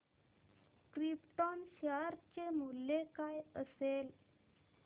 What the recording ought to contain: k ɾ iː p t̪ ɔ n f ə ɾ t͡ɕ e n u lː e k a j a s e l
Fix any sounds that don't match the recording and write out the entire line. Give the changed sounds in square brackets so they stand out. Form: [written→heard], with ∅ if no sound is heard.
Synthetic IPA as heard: k ɾ [iː→i] p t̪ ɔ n [f→ɕ] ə ɾ t͡ɕ e [n→m] u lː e k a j [a→ə] s e l